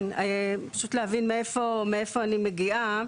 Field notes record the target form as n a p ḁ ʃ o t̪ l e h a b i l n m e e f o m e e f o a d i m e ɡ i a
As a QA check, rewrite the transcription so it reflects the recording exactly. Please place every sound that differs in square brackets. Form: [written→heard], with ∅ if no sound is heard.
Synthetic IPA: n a p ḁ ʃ [o→u] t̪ l e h a [b→v] i [l→∅] n m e e f o m e e f o a [d→n] i m e ɡ i a